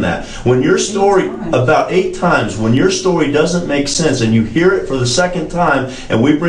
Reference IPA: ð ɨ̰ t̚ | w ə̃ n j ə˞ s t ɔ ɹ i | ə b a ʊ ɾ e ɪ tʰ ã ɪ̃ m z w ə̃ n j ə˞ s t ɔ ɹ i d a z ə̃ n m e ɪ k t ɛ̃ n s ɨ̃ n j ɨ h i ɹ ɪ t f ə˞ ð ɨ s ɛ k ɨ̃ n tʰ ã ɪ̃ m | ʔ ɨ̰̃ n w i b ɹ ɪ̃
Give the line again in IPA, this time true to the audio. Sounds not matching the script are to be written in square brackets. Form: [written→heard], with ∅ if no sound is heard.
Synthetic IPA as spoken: ð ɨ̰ t̚ | w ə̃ n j ə˞ s t ɔ ɹ i | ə b a ʊ ɾ e ɪ tʰ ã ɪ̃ m z w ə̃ n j ə˞ s t ɔ ɹ i d [a→ʌ] z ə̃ n m e ɪ k [t→s] ɛ̃ n s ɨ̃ n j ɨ h i ɹ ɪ t f ə˞ ð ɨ s ɛ k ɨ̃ n tʰ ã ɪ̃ m | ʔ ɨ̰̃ n w i b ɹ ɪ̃